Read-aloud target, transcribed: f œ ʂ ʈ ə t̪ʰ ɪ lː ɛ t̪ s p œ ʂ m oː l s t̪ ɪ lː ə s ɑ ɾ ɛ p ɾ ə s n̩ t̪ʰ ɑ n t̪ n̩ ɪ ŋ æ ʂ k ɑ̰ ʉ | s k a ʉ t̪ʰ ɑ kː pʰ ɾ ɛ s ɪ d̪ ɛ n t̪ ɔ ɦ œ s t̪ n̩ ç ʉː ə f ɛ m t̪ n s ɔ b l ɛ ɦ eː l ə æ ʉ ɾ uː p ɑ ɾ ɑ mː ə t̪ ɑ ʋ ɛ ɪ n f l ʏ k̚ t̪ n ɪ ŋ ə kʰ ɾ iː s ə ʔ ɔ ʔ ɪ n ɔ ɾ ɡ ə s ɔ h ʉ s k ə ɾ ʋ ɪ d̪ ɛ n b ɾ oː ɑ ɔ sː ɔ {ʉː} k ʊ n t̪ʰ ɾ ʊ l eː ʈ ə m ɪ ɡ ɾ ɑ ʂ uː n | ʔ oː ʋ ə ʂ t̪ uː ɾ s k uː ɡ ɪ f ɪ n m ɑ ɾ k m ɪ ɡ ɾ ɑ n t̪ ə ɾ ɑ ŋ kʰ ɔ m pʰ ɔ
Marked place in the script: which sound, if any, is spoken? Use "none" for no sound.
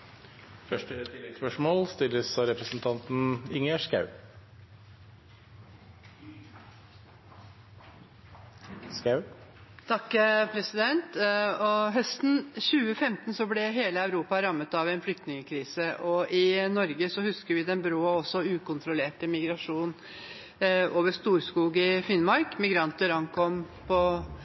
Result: ʉː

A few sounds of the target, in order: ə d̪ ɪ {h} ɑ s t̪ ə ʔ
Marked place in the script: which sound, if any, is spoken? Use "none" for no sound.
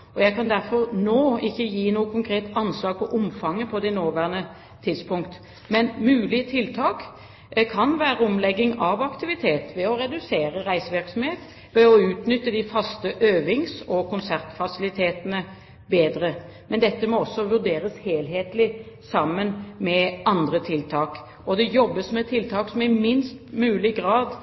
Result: f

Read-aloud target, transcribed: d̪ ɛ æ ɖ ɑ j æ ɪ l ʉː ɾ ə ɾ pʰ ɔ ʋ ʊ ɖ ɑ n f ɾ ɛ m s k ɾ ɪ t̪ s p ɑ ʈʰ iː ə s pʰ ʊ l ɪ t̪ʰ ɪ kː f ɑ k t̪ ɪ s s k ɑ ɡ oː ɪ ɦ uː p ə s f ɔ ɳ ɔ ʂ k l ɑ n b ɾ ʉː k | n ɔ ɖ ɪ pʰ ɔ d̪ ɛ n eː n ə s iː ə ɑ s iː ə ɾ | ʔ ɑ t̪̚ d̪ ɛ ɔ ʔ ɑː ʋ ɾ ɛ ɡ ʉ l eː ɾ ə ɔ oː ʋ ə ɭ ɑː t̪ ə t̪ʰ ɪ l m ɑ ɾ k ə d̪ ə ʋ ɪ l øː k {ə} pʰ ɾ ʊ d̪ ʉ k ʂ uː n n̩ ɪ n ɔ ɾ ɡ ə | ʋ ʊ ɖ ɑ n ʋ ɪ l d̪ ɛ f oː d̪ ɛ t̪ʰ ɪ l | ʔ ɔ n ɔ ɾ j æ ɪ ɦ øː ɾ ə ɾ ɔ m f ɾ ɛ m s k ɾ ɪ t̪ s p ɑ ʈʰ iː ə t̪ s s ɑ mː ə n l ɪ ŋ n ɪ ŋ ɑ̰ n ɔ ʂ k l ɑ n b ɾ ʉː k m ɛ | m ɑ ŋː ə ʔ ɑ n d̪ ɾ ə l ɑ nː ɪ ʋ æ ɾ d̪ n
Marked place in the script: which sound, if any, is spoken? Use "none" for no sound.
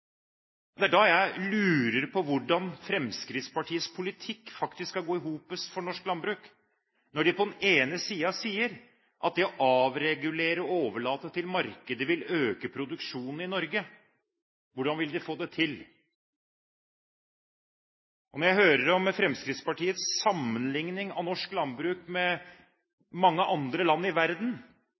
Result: ə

